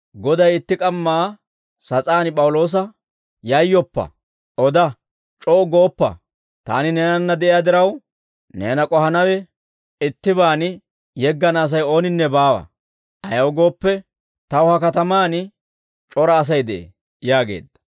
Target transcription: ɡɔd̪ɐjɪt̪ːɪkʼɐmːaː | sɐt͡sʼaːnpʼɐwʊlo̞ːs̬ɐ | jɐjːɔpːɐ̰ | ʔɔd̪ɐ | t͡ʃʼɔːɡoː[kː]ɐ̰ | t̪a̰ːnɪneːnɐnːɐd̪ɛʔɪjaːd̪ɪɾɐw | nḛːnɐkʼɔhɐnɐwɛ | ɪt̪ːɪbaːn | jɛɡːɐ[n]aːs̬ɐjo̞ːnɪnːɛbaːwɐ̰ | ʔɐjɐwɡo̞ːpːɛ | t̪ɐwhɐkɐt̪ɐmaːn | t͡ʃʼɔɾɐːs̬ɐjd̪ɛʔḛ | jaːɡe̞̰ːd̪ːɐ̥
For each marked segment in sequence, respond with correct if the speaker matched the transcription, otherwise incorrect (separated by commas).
incorrect, correct